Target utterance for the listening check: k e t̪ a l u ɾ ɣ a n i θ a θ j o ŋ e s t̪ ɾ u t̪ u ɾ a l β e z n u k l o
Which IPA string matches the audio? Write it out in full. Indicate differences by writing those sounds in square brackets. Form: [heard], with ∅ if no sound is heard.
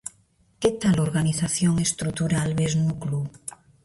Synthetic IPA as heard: k e t̪ a l [o] ɾ ɣ a n i θ a θ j o ŋ e s t̪ ɾ u t̪ u ɾ a l β e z n u k l [u]